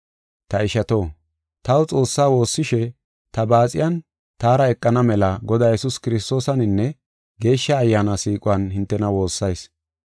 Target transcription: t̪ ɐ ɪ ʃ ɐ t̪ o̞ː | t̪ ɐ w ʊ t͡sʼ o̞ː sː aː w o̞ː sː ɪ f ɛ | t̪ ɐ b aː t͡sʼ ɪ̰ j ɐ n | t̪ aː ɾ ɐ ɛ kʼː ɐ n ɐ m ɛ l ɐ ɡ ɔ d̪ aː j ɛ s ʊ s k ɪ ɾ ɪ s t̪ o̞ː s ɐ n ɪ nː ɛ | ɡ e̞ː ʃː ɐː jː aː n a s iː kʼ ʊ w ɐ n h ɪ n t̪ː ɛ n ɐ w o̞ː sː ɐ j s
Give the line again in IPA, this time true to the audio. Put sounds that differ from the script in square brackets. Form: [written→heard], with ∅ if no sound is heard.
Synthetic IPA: t̪ ɐ ɪ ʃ ɐ t̪ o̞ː | t̪ ɐ w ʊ t͡sʼ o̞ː sː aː w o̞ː sː ɪ [f→ʃ] ɛ | t̪ ɐ b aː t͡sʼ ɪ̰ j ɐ n | t̪ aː ɾ ɐ ɛ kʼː ɐ n ɐ m ɛ l ɐ ɡ ɔ d̪ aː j ɛ s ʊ s k ɪ ɾ ɪ s t̪ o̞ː s ɐ n ɪ nː ɛ | ɡ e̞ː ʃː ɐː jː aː n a s iː kʼ ʊ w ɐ n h ɪ n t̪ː ɛ n ɐ w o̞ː sː ɐ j s